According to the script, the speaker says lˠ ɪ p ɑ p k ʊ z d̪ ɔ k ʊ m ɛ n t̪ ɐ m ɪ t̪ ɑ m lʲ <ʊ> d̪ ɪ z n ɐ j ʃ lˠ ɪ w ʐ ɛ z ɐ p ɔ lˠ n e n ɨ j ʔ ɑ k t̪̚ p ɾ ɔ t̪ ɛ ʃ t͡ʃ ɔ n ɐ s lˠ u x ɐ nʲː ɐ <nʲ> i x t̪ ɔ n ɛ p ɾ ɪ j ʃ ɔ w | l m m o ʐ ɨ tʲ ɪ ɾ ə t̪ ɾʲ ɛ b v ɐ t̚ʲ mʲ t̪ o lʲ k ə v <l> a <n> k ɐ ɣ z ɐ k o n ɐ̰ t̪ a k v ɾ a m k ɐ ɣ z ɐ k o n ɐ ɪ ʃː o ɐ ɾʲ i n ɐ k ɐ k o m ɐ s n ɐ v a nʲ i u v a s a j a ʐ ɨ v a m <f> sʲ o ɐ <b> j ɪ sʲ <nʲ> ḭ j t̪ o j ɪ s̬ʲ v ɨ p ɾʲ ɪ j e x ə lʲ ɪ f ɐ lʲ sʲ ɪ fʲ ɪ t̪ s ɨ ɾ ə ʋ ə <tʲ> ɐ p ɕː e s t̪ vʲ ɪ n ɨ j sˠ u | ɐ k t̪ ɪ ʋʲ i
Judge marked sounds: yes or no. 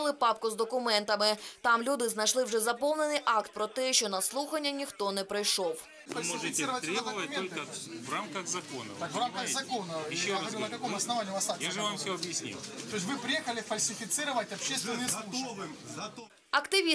no, yes, no, no, yes, yes, yes, yes

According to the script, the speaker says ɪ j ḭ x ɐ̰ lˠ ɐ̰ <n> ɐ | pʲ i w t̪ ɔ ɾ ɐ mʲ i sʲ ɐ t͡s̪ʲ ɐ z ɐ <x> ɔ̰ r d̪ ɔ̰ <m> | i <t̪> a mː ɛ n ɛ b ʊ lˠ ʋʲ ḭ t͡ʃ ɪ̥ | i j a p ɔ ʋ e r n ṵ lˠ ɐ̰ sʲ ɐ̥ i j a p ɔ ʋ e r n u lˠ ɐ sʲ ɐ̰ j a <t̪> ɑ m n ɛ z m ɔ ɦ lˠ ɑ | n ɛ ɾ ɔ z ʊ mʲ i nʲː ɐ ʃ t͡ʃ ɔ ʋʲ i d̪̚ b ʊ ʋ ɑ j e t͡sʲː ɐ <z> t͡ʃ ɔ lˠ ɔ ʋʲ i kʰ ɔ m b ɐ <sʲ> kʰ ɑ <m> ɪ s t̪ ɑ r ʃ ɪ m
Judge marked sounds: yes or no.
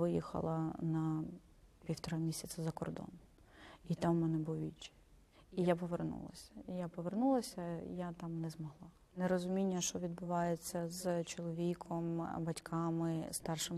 yes, no, no, yes, yes, yes, no, yes

